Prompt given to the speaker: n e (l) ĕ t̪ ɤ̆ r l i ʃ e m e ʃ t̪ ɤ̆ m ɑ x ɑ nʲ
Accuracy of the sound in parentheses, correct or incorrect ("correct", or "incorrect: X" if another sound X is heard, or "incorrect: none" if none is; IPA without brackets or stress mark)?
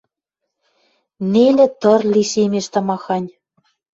correct